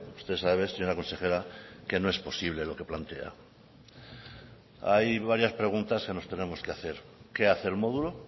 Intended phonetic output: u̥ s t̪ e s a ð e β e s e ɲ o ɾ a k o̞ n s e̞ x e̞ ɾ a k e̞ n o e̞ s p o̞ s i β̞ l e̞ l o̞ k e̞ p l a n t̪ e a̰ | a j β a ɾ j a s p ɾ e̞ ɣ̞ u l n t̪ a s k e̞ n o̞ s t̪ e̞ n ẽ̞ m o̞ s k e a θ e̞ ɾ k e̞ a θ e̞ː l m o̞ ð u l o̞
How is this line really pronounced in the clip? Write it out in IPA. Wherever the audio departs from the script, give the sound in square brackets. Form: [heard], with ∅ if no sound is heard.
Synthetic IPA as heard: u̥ s t̪ e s a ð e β e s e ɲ o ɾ a k o̞ n s e̞ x e̞ ɾ a k e̞ n o e̞ s p o̞ s i β̞ l e̞ l o̞ k e̞ p l a n t̪ e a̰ | a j β a ɾ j a s p ɾ e̞ ɣ̞ u [∅] n t̪ a s k e̞ n o̞ s t̪ e̞ n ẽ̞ m o̞ s k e a θ e̞ ɾ k e̞ a θ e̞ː l m o̞ ð u l o̞